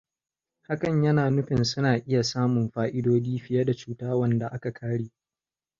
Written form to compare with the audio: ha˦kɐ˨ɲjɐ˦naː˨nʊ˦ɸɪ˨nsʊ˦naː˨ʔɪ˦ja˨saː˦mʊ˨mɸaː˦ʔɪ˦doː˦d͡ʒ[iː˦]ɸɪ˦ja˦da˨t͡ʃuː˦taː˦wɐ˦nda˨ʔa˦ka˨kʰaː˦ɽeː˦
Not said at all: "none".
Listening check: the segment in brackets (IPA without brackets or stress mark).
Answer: iː˦